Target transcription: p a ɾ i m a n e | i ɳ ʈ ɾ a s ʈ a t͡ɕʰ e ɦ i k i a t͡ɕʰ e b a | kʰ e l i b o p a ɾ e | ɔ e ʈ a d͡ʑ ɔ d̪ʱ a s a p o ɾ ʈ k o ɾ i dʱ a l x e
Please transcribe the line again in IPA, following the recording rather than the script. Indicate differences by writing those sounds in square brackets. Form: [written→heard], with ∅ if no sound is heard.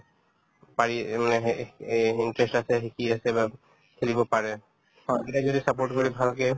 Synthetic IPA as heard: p a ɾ i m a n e | i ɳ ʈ ɾ [a→e] s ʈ a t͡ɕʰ e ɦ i k i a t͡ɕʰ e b a | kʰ e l i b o p a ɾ e | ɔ e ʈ a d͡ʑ [ɔ→o] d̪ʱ [a→i] s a p o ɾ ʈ k o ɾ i [dʱ→bʱ] a l [x→k] e